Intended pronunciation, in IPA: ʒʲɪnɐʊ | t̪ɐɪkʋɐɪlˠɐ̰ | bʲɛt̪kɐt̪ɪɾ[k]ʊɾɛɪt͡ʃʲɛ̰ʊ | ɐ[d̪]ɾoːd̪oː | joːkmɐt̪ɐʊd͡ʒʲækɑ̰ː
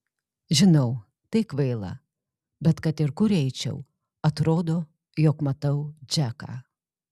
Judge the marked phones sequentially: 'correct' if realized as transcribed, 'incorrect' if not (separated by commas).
correct, incorrect